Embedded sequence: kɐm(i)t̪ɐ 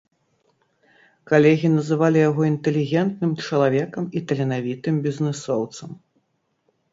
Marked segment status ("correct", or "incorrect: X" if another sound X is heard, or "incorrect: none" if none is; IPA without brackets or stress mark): correct